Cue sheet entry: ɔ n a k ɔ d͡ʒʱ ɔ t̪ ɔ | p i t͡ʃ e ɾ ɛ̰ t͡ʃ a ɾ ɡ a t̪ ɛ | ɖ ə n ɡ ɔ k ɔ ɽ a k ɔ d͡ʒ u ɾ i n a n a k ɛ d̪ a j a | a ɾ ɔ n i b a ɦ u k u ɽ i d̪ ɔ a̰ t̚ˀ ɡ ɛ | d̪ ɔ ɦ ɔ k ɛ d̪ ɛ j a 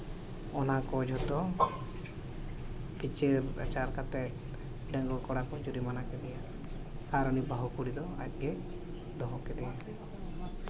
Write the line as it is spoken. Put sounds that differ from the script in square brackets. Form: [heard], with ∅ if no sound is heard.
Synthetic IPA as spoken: ɔ n a k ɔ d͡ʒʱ ɔ t̪ ɔ | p i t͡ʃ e ɾ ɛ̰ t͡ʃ a ɾ [k] a t̪ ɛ | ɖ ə [ŋ] ɡ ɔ k ɔ ɽ a k ɔ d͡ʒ u ɾ i [m] a n a k ɛ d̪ [ɛ] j a | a ɾ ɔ n i b a ɦ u k u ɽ i d̪ ɔ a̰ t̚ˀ ɡ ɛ | d̪ ɔ ɦ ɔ k ɛ d̪ ɛ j a